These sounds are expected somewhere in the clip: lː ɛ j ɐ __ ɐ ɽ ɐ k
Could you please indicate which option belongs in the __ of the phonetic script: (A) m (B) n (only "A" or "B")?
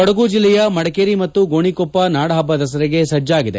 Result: A